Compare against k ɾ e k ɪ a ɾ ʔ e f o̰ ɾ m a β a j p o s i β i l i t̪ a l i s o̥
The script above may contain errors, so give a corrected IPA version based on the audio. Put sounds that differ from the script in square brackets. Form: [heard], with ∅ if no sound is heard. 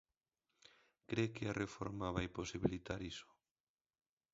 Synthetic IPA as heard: k ɾ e k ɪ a [r] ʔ e f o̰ ɾ m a β a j p o s i β i l i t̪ a [ɾ] i s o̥